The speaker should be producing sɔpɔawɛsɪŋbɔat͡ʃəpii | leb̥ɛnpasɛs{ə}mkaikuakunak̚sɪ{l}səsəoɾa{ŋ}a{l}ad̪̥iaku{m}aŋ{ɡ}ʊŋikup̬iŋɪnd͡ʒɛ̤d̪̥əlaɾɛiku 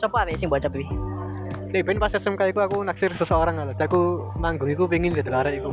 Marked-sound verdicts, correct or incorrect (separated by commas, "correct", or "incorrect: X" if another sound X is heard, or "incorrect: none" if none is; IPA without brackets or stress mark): correct, incorrect: r, correct, correct, correct, correct